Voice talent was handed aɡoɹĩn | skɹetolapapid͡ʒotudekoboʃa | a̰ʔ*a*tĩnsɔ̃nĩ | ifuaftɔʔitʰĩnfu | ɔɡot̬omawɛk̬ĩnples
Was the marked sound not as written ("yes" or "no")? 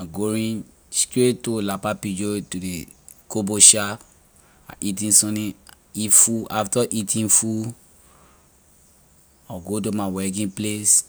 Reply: yes